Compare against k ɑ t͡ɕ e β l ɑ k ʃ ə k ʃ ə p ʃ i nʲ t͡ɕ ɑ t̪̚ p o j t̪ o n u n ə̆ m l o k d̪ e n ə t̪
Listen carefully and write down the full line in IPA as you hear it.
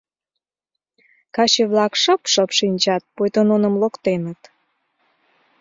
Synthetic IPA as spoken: k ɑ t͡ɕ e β l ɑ k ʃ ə p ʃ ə p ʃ i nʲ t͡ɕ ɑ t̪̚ p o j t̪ o n o n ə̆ m l o k t̪ e n ə t̪